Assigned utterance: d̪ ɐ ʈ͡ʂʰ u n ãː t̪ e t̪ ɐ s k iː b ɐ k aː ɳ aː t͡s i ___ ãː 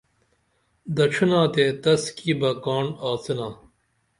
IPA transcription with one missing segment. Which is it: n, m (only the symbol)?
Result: n